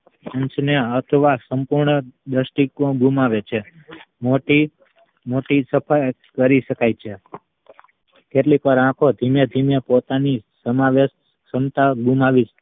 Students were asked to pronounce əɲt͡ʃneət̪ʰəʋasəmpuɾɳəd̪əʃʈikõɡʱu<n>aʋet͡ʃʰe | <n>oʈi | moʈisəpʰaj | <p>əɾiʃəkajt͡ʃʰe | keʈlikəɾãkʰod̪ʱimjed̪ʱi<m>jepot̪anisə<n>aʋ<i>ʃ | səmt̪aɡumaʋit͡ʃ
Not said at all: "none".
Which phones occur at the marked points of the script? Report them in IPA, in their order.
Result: m, m, k, m, m, e

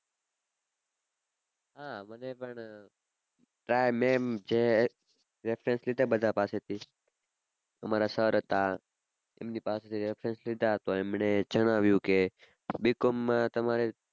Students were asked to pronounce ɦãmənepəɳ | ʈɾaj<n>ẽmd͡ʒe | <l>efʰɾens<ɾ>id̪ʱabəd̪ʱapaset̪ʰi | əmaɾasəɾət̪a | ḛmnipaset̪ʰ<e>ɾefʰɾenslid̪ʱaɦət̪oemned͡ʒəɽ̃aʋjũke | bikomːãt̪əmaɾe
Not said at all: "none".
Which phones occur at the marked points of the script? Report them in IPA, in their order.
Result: m, ɾ, l, i

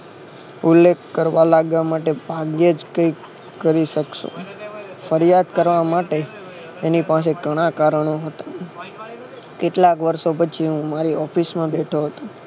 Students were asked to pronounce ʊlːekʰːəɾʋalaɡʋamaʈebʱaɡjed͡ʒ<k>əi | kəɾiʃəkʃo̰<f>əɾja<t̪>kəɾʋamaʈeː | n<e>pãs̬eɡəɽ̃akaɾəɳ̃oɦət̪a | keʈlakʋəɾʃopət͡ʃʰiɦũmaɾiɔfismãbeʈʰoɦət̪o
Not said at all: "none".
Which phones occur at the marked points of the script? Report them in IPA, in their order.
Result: k, f, d̪, i

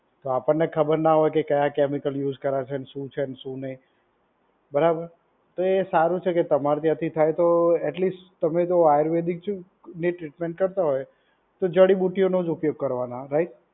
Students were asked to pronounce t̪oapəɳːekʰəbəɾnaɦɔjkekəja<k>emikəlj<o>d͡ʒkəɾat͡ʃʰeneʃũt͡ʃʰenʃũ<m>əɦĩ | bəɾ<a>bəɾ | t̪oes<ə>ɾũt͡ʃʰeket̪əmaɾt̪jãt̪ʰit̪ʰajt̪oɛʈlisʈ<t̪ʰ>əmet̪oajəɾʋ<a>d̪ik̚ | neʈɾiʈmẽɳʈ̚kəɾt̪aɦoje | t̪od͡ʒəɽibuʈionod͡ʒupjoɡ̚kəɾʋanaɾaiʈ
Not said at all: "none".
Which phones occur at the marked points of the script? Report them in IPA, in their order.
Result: k, u, n, a, a, t̪, e

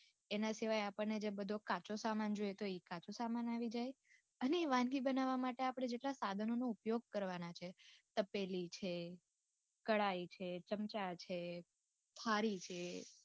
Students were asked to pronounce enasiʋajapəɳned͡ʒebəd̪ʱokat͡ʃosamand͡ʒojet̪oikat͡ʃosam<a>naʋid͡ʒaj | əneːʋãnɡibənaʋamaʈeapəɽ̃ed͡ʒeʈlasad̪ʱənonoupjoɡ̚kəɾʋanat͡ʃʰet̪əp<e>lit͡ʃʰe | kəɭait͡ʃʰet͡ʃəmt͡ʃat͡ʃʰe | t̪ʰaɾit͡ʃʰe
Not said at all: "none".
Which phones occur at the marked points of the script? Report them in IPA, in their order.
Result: a, e

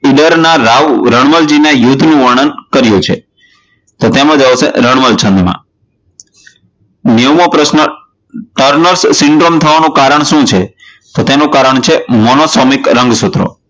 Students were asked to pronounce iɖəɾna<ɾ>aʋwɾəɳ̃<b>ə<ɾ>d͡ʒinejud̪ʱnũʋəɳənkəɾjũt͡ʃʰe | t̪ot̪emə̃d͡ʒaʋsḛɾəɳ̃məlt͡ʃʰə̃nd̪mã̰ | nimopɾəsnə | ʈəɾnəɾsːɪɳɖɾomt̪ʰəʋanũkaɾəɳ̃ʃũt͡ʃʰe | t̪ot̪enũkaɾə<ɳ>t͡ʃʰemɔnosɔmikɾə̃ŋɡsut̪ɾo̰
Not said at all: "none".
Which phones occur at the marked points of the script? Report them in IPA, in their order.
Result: ɾ, m, l, ɳ

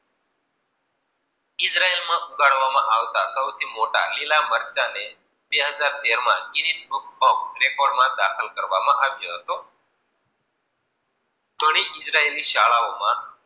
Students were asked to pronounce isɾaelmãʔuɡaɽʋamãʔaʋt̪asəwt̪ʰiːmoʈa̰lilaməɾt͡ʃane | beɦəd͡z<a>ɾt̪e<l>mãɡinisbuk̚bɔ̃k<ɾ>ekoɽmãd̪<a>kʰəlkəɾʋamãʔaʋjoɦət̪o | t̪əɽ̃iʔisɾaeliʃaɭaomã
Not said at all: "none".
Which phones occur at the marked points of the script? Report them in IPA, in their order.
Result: a, ɾ, ɾ, a

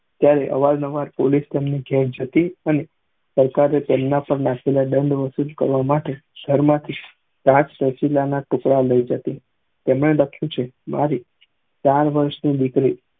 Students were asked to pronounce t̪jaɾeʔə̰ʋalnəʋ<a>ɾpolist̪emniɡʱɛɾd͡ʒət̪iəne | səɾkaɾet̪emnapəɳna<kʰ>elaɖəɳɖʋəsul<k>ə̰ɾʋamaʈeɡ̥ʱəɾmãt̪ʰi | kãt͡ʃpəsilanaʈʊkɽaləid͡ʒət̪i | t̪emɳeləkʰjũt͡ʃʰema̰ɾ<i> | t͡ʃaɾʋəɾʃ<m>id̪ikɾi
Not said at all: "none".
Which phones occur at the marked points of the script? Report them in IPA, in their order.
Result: a, kʰ, k, i, n

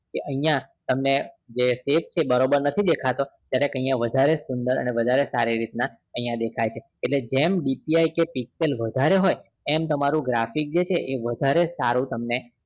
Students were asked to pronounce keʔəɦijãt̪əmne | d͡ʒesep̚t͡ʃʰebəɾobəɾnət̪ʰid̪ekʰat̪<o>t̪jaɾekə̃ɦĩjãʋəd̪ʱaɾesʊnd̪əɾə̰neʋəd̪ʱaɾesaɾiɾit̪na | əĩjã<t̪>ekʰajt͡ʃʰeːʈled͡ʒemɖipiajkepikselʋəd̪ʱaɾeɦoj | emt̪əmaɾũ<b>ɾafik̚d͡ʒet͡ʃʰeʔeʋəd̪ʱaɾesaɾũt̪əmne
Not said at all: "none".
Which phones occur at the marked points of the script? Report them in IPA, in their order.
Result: o, d̪, ɡ

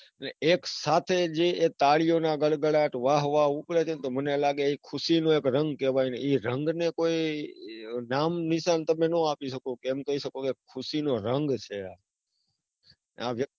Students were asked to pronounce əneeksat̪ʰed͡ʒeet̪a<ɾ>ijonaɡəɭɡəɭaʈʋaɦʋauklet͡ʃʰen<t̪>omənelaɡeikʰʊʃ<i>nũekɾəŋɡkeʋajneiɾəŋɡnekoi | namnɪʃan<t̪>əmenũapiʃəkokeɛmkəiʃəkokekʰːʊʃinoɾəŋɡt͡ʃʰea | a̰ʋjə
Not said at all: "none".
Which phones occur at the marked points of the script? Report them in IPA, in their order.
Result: ɭ, t̪, i, t̪

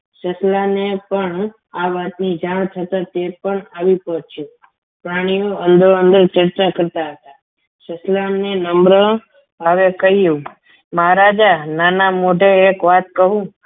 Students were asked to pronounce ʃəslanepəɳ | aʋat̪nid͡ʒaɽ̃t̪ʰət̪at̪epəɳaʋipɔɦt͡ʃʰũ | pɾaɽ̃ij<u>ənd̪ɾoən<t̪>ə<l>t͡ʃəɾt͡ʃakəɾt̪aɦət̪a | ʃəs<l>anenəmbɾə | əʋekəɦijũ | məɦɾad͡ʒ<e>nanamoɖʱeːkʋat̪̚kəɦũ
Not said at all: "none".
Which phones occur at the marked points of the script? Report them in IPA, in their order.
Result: o, d̪, ɾ, l, a

